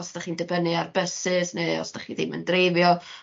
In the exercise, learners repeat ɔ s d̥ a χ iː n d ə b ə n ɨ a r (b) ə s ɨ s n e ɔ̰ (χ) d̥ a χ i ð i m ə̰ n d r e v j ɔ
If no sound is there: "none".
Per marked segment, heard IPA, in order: b, s

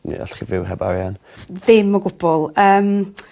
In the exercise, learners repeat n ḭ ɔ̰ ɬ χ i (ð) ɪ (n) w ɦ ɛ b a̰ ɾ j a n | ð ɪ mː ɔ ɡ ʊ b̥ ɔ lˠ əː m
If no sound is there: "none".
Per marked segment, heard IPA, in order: v, none

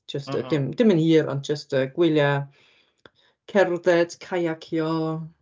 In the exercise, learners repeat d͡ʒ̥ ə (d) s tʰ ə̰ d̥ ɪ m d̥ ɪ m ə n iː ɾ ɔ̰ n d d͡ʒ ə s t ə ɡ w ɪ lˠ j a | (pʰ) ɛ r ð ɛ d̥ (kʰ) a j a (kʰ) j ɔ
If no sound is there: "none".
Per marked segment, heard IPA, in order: none, kʰ, kʰ, kʰ

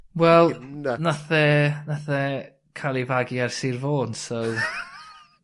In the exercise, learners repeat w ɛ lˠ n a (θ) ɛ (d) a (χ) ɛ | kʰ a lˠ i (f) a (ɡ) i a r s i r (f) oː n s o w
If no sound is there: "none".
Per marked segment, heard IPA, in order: θ, n, θ, v, ɡ, v

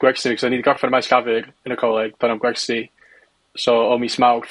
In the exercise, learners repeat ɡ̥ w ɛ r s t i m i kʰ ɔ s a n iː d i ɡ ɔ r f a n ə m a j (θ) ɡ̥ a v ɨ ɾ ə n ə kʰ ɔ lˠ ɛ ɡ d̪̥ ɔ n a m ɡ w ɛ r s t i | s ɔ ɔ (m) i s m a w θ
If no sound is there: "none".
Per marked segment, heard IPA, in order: s, m

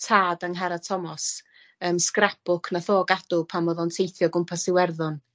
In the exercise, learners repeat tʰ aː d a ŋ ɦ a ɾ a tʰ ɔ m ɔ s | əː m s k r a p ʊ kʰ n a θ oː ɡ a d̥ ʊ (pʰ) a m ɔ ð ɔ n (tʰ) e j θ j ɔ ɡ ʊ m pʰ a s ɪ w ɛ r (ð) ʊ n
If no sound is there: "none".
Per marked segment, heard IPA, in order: pʰ, tʰ, ð

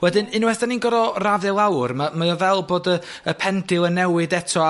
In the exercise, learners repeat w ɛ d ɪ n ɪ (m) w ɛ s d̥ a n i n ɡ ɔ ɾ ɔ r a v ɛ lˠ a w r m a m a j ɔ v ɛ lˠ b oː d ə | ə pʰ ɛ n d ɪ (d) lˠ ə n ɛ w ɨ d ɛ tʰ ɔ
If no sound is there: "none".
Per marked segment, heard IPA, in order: n, none

